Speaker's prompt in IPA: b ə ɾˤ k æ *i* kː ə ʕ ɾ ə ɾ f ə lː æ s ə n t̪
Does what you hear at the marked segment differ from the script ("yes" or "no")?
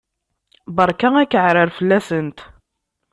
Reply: yes